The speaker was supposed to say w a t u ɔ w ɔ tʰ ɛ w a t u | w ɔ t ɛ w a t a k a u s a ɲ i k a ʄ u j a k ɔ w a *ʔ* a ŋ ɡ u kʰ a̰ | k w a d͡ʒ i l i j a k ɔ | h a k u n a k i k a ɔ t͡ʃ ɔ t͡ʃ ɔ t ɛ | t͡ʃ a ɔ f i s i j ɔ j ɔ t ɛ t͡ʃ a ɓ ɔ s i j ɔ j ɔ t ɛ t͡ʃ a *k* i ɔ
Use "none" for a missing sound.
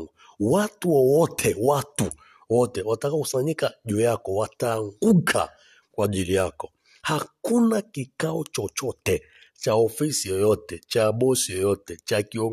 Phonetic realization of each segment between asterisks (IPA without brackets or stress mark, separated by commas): t, k